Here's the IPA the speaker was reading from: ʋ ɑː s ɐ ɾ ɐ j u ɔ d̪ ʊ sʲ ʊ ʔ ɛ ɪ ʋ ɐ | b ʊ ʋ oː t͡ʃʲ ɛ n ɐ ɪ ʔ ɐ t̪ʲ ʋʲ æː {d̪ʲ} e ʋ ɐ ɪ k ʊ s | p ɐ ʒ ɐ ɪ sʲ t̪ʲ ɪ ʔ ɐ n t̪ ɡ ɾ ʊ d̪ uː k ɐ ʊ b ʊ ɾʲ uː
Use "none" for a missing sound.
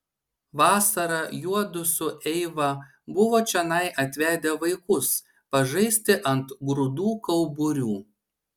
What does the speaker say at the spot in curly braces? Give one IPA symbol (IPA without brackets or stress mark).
d̪ʲ